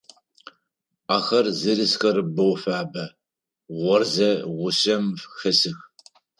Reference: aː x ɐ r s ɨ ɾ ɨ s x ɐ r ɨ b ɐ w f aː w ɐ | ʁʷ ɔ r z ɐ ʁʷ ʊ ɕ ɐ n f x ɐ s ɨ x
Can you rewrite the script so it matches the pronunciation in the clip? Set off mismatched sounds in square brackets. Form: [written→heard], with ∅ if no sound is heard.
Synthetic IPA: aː x ɐ r [s→z] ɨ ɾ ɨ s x ɐ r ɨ b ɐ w f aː [w→b] ɐ | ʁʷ ɔ r z ɐ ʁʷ ʊ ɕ ɐ [n→m] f x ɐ s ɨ x